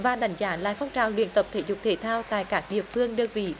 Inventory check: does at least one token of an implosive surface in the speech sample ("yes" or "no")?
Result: yes